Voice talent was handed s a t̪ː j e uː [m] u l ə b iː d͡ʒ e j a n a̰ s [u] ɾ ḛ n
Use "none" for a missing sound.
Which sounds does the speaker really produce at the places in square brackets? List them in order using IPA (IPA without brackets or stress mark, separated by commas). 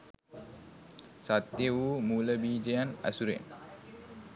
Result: m, u